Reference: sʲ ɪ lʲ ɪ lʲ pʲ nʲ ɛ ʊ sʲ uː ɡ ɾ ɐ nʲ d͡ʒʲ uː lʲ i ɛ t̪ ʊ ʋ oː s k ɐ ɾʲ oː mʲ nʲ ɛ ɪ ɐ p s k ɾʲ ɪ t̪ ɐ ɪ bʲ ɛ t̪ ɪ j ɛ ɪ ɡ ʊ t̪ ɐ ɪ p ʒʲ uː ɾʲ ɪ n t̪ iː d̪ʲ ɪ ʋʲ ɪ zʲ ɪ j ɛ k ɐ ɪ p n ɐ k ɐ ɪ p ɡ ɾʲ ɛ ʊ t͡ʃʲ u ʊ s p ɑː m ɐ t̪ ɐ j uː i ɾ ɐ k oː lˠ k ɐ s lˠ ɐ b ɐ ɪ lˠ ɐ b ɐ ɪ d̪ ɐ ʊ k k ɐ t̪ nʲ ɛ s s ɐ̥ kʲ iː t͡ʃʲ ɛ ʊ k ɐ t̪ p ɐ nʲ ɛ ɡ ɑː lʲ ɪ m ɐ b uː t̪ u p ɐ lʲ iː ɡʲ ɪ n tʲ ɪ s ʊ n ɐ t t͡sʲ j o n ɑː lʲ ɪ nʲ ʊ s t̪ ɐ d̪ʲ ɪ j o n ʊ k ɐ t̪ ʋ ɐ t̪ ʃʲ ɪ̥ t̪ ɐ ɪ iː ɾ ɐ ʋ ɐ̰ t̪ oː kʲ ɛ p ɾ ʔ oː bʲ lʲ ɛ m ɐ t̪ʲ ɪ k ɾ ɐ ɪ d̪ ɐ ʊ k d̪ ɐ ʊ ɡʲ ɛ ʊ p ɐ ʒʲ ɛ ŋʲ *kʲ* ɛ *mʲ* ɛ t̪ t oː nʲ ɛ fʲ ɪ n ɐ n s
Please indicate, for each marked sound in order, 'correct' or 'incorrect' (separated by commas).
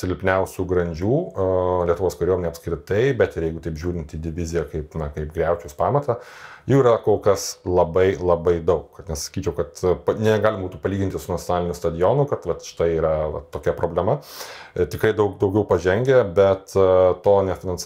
incorrect, incorrect